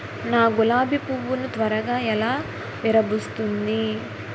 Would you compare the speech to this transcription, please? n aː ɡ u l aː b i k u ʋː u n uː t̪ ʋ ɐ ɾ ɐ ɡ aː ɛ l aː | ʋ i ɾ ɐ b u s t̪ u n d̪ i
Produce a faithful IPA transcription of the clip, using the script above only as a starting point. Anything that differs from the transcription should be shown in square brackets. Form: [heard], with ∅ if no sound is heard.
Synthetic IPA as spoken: n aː ɡ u l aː b i [p] u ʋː u n [u] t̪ ʋ ɐ ɾ ɐ ɡ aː ɛ l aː | ʋ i ɾ ɐ b u s t̪ u n d̪ i